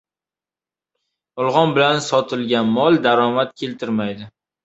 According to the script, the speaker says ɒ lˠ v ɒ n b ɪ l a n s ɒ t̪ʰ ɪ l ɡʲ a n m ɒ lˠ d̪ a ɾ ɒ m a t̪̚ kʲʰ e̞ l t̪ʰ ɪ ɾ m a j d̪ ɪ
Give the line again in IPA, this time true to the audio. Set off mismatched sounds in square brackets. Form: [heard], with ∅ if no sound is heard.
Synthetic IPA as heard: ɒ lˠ [ʁ] ɒ n b ɪ l a n s ɒ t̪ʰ ɪ l ɡʲ a n m ɒ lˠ d̪ a ɾ ɒ m a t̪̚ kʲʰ e̞ l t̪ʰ ɪ ɾ m a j d̪ ɪ